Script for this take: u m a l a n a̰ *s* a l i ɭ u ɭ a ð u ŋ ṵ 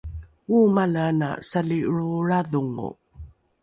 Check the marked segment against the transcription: correct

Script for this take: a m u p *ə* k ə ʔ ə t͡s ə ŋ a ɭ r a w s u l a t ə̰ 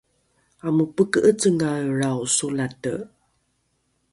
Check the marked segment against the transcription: correct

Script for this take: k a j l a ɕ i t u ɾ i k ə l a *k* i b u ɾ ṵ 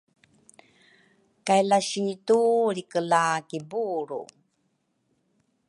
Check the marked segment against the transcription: correct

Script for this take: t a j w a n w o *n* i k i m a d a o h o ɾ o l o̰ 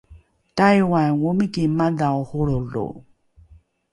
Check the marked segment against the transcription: incorrect: m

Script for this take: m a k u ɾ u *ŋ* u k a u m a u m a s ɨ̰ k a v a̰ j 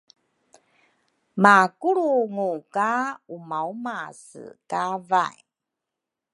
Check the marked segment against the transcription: correct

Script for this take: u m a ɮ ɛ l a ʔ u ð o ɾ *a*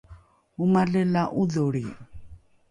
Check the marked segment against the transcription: incorrect: i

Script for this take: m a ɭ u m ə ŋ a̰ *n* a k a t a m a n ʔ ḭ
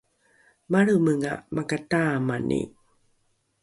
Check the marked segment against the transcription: incorrect: m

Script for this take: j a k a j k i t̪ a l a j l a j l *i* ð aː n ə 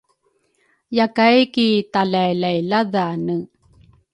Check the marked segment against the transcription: incorrect: a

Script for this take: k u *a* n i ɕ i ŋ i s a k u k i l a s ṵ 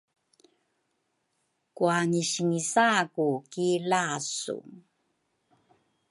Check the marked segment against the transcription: correct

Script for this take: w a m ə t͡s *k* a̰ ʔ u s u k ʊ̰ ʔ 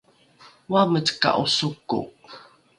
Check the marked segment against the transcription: correct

